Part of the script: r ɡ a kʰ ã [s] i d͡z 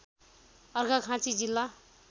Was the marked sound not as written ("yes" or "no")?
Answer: yes